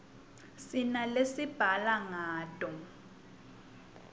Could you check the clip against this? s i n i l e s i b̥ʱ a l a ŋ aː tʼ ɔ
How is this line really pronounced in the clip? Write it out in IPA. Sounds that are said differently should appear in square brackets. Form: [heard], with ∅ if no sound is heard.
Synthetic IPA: s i n [a] l e s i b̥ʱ a l a ŋ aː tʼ ɔ